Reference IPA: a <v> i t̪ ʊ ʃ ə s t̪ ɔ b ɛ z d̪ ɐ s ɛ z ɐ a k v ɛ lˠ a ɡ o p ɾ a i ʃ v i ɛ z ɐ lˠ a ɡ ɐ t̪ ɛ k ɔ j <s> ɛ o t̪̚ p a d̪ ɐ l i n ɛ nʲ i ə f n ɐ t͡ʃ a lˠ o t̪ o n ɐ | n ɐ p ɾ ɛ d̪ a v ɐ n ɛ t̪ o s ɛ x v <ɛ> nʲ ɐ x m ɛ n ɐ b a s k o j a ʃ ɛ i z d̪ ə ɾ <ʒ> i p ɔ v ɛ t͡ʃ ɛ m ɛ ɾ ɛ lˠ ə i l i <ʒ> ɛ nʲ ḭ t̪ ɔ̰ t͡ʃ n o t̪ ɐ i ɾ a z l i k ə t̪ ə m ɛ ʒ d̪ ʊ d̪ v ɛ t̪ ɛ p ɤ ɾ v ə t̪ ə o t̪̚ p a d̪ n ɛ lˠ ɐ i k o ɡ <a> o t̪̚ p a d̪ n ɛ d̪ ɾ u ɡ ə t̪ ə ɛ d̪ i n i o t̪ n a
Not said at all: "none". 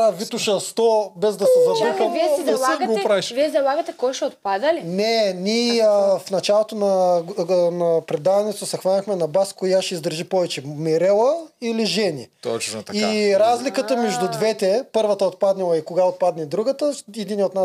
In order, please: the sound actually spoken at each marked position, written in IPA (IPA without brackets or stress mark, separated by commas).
v, ʃ, a, ʒ, ʒ, a